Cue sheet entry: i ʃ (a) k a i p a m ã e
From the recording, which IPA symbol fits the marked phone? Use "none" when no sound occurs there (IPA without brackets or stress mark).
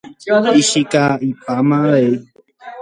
i